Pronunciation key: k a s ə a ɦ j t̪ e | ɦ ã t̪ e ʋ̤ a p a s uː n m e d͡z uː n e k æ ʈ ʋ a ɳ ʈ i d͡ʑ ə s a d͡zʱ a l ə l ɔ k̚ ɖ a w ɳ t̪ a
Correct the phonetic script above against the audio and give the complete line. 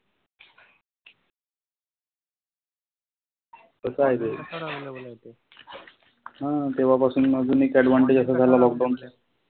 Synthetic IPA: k ə s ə a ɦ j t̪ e | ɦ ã t̪ e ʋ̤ a p a s uː n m a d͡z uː n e k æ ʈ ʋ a ɳ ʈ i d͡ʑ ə s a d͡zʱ a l a l ɔ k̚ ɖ a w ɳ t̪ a